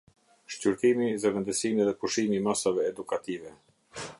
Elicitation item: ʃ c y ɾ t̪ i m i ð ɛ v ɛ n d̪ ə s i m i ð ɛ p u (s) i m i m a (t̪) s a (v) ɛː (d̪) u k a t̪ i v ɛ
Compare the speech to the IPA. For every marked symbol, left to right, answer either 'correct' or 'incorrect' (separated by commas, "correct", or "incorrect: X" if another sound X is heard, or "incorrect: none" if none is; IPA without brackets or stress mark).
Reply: incorrect: ʃ, incorrect: none, correct, correct